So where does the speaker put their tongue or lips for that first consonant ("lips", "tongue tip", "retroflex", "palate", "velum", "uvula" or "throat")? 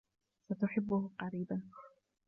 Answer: tongue tip